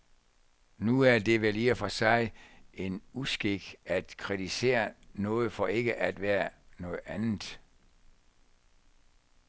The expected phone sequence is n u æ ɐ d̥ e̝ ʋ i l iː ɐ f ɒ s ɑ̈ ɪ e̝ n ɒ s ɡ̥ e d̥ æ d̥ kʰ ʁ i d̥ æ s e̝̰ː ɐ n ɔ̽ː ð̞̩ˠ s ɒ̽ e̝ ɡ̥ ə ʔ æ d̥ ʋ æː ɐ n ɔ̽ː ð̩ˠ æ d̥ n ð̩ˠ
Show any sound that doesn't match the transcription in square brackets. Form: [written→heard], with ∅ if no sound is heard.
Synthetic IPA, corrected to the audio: n u æ ɐ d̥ e̝ ʋ [i→e] l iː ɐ f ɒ s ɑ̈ ɪ e̝ n [ɒ→u] s ɡ̥ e [d̥→ɡ̥] æ d̥ kʰ ʁ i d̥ [æ→i] s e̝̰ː ɐ n ɔ̽ː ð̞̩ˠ [s→f] ɒ̽ e̝ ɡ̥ ə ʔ æ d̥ ʋ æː ɐ n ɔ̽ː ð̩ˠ æ [d̥→∅] n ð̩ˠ